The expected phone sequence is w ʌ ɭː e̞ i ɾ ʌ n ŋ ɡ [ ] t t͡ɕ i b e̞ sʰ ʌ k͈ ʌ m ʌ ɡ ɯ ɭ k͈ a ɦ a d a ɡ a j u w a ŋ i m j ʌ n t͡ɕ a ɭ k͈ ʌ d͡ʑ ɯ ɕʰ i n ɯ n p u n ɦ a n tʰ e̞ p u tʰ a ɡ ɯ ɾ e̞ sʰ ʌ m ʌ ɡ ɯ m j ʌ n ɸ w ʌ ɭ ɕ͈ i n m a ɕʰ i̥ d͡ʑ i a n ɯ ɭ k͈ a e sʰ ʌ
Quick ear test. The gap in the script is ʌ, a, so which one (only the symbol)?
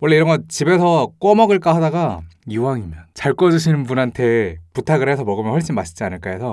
ʌ